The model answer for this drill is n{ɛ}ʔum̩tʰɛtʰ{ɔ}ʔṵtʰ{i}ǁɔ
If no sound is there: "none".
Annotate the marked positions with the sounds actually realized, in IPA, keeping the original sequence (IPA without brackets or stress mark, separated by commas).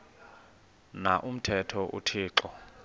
a, ɔ, iː